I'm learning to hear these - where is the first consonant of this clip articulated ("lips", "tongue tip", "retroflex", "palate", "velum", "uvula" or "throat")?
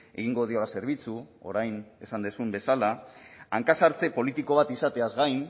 velum